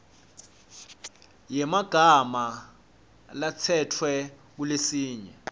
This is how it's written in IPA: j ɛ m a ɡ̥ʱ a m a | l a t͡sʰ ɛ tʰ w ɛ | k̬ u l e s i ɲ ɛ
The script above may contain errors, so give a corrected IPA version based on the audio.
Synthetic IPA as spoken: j ɛ m a ɡ̥ʱ a m a | l a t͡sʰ ɛ tʰ w ɛ | k̬ u l e s iː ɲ ɛ

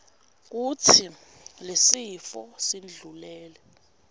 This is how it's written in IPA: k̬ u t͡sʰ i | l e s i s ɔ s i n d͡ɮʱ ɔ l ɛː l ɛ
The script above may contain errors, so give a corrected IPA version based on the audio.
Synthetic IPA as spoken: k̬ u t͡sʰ i | l e s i f ɔ s i n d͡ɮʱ u l ɛː l ɛ

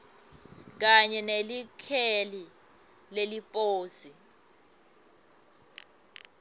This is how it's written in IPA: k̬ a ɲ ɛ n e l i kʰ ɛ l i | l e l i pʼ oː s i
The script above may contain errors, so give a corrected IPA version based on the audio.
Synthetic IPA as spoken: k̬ a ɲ ɛ n e l i kʰ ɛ l i | l e l i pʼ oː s i

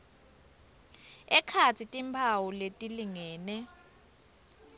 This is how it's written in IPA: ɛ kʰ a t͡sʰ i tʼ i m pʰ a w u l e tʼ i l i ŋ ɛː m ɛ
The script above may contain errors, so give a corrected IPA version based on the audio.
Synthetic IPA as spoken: ɛ kʰ a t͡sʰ i tʼ i m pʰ a w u l e tʼ i l i ŋ ɛː n ɛ

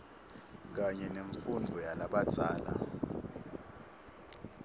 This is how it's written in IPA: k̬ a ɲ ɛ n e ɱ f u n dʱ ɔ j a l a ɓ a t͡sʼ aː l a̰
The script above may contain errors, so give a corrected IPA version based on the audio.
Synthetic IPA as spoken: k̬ a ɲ ɛ n e ɱ f u n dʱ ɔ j a l a ɓ a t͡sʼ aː l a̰

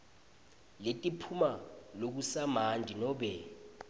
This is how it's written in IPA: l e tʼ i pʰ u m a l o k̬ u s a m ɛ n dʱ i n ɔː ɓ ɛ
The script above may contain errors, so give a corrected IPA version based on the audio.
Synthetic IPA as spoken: l e tʼ i pʰ u m a l o k̬ u s a m a n dʱ i n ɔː ɓ ɛ

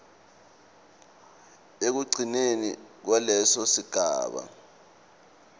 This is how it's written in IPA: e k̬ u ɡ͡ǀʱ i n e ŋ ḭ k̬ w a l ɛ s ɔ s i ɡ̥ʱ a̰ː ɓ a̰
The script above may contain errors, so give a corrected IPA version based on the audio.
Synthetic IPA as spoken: e k̬ u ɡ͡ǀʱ i n e n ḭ k̬ w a l ɛ s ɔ s i ɡ̥ʱ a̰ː ɓ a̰

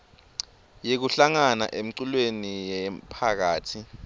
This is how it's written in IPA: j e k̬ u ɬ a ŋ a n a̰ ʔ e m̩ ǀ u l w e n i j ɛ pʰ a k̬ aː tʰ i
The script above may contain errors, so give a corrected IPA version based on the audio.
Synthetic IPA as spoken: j e k̬ u ɬ a ŋ a n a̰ ʔ e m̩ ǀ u l w e n i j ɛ pʰ a k̬ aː tʰ i

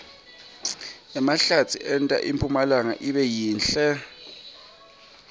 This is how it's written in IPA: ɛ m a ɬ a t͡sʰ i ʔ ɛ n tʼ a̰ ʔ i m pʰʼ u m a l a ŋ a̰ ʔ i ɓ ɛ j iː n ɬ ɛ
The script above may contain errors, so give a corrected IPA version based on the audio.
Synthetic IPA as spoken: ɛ m a ɬ a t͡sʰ i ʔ ɛ n tʼ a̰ ʔ i m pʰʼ u m a l a ŋ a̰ ʔ i ɓ ɛ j iː n ɬ ɛ

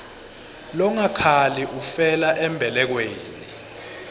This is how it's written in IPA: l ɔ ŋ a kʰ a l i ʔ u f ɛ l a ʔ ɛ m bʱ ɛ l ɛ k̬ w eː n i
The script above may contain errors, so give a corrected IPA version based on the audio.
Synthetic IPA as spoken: l ɔ ŋ a kʰ a l i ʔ u f ɛ l a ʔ ɛ m bʱ ɛ l ɛ k̬ w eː n i

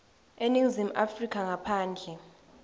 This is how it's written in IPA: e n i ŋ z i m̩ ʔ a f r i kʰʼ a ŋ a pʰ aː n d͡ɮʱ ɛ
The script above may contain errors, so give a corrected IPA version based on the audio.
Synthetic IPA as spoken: e n i ŋ z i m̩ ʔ a f r i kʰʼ a ŋ a pʰ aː n d͡ɮʱ ɛ

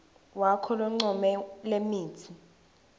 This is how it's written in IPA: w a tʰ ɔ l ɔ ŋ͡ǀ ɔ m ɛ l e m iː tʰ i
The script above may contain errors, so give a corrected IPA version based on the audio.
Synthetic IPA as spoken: w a kʰ ɔ l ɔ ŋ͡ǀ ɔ m ɛ l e m iː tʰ i

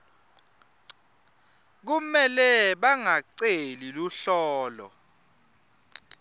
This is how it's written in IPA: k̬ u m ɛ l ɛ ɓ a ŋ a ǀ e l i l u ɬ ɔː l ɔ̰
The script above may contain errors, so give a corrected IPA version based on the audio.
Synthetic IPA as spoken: k̬ u m ɛ l ɛ ɓ a ŋ a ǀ e l i l u ɬ ɔː l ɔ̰

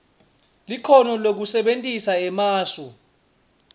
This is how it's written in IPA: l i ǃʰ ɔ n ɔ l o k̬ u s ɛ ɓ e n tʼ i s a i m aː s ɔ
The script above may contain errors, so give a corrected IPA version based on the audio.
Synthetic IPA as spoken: l i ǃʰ ɔ n ɔ l o k̬ u s ɛ ɓ e n tʼ i s a ɛ m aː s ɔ

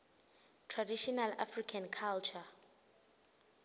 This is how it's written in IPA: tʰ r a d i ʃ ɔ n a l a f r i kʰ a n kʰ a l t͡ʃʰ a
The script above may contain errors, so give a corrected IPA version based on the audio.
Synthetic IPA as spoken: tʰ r a d i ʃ ɔ n a l a f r i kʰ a n kʰ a l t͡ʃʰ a

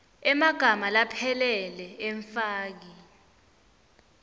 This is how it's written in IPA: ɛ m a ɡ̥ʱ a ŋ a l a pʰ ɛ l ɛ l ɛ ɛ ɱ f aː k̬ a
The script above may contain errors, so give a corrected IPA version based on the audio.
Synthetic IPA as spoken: ɛ m a ɡ̥ʱ a m a l a pʰ ɛ l ɛ l ɛ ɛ ɱ f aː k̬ i

